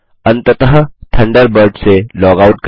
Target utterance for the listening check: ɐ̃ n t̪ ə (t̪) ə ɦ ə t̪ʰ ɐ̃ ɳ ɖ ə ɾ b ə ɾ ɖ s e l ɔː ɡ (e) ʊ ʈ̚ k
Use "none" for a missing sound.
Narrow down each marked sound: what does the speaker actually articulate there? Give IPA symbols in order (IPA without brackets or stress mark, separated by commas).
t̪, a